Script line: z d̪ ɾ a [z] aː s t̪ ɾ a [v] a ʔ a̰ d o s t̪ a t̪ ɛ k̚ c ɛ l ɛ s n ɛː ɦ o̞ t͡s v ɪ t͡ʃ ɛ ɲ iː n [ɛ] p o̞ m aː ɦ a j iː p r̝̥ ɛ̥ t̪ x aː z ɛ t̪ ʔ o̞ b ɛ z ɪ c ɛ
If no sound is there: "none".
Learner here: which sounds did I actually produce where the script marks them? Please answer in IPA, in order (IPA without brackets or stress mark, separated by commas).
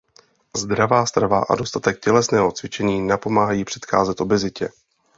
v, v, a